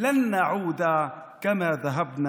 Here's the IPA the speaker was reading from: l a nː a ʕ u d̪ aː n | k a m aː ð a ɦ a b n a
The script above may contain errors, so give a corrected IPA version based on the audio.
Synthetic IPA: l a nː a ʕ uː d̪ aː | k a m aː ð a ɦ a b n a